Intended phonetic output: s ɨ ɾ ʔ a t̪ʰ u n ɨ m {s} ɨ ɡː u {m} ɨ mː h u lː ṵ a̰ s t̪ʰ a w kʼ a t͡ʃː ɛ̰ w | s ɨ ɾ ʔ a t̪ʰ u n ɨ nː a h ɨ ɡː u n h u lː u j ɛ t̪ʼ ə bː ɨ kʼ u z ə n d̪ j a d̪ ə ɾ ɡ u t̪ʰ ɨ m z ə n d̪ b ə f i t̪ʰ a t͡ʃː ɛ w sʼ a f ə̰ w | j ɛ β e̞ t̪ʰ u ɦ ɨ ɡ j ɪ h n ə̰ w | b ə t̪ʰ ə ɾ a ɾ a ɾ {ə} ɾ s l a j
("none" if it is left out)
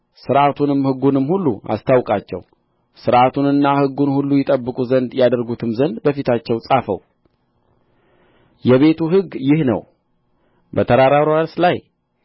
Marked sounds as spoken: h, n, a

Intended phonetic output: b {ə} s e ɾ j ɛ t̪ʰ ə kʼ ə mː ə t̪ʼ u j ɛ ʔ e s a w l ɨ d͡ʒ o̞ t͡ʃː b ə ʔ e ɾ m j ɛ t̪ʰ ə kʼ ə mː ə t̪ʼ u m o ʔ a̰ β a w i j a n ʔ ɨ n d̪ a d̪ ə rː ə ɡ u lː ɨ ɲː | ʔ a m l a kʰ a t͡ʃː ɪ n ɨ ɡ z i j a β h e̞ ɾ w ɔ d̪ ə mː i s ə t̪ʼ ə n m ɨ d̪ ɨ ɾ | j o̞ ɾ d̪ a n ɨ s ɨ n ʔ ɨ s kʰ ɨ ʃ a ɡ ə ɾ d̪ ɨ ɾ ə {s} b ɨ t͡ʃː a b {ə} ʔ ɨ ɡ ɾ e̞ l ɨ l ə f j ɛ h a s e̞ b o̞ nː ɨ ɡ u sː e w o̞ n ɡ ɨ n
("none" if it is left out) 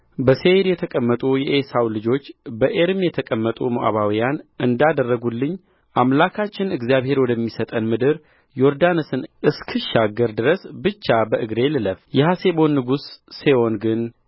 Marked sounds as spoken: ə, s, ə

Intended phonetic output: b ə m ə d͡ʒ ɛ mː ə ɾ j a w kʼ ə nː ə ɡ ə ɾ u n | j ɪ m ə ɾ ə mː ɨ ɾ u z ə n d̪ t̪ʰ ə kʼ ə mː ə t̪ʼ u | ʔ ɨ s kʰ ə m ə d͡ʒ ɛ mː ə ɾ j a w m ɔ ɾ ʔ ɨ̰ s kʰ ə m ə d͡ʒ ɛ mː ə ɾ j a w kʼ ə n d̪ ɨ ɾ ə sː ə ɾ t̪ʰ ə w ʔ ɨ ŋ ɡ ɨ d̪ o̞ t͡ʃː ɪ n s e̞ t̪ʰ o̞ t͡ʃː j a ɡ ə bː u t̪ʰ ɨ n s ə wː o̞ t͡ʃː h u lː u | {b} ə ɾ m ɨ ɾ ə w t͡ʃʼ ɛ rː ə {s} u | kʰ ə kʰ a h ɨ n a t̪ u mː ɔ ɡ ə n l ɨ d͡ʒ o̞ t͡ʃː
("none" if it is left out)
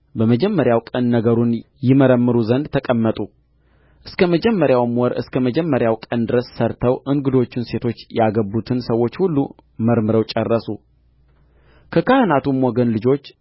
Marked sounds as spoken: m, s

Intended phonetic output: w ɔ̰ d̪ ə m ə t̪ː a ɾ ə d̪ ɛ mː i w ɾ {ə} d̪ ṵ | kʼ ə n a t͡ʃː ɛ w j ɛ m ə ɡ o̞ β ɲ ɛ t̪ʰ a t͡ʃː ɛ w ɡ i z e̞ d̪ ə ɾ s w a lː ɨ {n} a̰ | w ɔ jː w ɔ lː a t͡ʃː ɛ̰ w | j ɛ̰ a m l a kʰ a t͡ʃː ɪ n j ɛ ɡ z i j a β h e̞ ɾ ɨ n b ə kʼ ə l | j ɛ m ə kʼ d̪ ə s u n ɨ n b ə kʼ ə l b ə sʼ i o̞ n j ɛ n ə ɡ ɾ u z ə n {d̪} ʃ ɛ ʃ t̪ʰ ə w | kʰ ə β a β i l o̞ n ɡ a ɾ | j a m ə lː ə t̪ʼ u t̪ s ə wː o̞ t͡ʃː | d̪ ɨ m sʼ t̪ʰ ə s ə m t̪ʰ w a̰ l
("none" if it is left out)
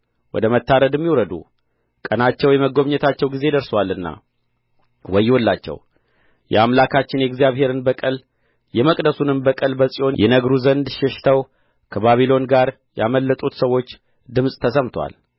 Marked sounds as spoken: ə, nː, d̪

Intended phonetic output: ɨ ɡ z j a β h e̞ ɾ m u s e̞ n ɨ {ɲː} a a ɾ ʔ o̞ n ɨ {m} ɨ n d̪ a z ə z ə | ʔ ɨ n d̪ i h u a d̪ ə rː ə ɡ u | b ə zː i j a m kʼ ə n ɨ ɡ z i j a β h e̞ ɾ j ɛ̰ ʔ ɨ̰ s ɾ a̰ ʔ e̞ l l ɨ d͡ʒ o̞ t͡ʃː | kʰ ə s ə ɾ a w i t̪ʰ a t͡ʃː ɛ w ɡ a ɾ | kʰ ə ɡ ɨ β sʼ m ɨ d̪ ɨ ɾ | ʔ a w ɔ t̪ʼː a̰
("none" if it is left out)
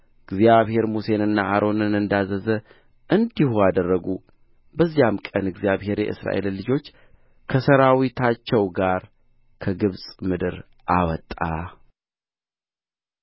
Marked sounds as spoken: nː, n

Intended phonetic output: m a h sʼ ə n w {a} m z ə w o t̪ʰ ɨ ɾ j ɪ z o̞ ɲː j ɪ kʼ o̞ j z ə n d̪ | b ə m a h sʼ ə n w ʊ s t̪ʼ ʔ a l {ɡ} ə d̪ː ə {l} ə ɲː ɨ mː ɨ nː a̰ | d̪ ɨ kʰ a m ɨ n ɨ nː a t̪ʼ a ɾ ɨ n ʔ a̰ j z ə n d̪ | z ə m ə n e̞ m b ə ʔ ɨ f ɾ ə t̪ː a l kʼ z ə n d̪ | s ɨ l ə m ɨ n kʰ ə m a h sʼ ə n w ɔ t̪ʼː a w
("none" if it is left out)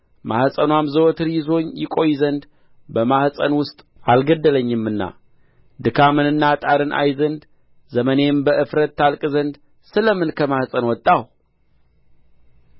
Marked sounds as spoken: a, ɡ, l

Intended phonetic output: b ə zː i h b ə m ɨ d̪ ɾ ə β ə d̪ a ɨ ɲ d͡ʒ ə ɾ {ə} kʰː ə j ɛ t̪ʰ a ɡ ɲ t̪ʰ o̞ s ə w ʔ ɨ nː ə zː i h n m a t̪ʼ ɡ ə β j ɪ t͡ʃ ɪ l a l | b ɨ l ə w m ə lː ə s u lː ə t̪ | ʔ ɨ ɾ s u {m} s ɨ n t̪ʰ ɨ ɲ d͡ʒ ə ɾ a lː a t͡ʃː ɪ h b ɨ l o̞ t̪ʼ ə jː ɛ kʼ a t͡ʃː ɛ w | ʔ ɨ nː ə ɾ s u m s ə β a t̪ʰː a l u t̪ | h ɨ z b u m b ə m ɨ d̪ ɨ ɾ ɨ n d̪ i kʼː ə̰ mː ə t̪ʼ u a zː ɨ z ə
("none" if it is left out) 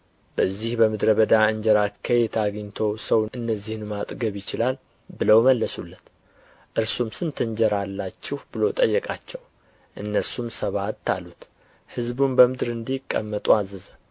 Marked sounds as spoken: a, m

